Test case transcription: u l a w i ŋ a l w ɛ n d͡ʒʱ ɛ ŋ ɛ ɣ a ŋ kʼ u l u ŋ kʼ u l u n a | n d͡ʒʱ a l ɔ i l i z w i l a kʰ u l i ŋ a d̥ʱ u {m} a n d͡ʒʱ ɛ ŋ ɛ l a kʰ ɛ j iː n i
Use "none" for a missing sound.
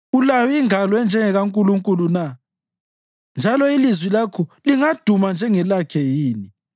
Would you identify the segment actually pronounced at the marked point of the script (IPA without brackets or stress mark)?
m